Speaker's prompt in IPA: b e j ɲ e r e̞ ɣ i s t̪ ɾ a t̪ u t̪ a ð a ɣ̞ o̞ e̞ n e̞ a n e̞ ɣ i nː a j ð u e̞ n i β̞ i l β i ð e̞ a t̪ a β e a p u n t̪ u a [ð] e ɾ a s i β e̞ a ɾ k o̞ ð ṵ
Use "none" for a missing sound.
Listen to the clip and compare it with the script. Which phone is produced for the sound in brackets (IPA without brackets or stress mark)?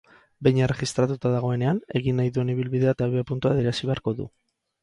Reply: ð